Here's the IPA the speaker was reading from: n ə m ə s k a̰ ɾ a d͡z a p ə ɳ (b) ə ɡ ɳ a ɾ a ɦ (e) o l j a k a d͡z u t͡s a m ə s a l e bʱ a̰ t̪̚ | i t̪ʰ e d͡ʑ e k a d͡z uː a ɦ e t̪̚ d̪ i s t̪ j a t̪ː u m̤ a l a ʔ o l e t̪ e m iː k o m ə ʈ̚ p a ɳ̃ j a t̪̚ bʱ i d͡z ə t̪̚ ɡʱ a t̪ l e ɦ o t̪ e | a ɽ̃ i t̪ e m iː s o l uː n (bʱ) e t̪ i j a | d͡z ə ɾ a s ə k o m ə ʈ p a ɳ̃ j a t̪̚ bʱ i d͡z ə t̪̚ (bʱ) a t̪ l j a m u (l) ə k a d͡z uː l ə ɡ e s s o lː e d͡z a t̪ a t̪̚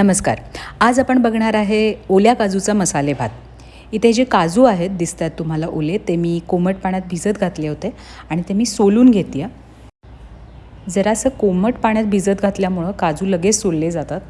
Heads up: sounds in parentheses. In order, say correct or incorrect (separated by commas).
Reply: correct, correct, incorrect, incorrect, incorrect